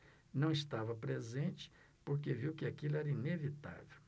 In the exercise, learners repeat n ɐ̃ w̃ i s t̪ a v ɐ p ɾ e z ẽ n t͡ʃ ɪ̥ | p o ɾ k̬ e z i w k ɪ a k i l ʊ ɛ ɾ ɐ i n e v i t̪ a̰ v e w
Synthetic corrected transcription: n ɐ̃ w̃ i s t̪ a v ɐ p ɾ e z ẽ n t͡ʃ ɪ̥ | p o ɾ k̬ e v i w k ɪ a k i l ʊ ɛ ɾ ɐ i n e v i t̪ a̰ v e w

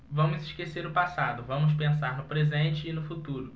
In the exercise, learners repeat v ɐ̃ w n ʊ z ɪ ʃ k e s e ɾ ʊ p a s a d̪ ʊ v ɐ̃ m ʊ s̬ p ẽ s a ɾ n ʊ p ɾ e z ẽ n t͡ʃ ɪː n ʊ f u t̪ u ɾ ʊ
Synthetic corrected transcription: v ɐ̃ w m ʊ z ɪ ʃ k e s e ɾ ʊ p a s a d̪ ʊ v ɐ̃ m ʊ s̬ p ẽ s a ɾ n ʊ p ɾ e z ẽ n t͡ʃ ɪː n ʊ f u t̪ u ɾ ʊ

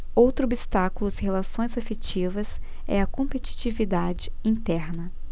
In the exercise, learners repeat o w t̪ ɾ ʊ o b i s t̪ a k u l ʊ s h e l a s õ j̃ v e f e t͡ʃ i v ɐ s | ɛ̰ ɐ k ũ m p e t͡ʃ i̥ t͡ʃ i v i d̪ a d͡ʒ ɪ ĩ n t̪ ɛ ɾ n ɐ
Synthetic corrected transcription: o w t̪ ɾ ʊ o b i s t̪ a k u l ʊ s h e l a s õ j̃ z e f e t͡ʃ i v ɐ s | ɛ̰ ɐ k õ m p e t͡ʃ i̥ t͡ʃ i v i d̪ a d͡ʒ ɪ ĩ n t̪ ɛ ɾ n ɐ

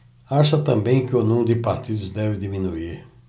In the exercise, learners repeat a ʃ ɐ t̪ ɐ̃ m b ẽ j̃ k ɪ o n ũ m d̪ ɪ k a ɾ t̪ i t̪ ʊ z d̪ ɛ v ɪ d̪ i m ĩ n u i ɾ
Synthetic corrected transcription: a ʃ ɐ t̪ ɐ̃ m b ẽ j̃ k ɪ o n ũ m d̪ ɪ p a ɾ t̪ i d̪ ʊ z d̪ ɛ v ɪ d̪ i m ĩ n u i ɾ

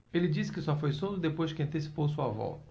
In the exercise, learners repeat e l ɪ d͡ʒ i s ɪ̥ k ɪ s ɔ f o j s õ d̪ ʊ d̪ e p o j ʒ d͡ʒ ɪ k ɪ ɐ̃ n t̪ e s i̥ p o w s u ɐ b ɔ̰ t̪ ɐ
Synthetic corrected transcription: e l ɪ d͡ʒ i s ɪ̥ k ɪ s ɔ f o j s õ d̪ ʊ d̪ e p o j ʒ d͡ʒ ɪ k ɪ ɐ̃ n t̪ e s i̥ p o w s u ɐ v ɔ̰ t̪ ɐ

